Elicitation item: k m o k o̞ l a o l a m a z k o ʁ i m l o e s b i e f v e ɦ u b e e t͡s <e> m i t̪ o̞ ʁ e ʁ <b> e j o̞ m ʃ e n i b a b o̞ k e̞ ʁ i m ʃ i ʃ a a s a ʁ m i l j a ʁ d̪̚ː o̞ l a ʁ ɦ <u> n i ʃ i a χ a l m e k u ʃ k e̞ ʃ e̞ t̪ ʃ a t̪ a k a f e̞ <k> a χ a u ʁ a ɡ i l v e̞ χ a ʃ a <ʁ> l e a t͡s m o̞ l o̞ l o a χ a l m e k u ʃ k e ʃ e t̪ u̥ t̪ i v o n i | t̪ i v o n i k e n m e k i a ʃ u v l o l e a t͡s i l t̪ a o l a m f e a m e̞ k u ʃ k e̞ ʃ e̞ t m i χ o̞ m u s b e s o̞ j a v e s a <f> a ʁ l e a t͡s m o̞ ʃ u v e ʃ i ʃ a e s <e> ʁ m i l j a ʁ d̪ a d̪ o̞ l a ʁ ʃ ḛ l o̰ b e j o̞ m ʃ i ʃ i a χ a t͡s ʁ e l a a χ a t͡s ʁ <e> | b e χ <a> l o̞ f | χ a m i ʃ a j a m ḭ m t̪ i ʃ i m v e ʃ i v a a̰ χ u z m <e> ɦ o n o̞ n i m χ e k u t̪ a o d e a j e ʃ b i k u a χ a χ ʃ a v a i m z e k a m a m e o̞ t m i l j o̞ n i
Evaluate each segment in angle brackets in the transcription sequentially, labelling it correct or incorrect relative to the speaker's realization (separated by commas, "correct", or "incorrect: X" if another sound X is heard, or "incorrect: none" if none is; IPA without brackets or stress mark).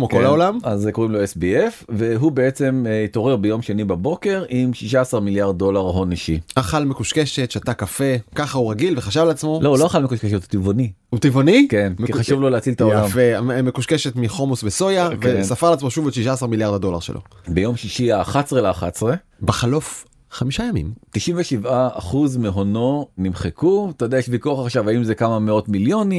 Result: correct, correct, incorrect: o, correct, incorrect: v, correct, incorrect: a, correct, correct, correct